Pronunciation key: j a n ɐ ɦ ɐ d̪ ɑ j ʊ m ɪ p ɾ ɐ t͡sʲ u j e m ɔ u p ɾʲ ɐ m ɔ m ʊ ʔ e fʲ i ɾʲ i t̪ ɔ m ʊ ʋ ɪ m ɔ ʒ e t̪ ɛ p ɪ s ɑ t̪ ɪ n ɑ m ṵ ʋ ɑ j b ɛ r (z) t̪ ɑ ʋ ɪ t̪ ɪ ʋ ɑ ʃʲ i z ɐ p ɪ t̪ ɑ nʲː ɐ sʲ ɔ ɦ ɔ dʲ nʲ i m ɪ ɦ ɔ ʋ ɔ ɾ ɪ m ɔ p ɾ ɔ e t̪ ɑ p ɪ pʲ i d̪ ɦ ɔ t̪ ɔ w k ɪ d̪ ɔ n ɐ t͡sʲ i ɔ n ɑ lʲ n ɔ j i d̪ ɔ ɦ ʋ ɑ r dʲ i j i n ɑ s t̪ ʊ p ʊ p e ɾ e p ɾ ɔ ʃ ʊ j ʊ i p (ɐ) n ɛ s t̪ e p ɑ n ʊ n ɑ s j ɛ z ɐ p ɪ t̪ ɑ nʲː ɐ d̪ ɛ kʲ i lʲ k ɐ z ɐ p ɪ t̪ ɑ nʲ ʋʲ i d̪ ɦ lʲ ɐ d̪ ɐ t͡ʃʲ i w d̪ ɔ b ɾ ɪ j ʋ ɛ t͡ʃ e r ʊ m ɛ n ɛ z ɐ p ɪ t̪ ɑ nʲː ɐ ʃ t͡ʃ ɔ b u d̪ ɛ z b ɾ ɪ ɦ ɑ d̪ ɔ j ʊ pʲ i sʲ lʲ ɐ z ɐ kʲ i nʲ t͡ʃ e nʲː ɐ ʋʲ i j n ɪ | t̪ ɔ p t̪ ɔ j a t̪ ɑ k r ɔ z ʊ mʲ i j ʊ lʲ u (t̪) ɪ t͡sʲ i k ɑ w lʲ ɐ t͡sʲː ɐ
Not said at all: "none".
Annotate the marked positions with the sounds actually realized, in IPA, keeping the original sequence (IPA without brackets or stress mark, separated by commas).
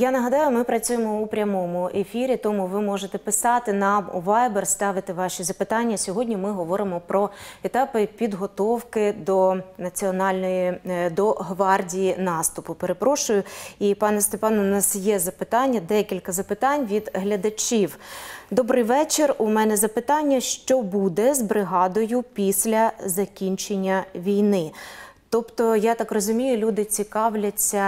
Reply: s, ɑ, d̪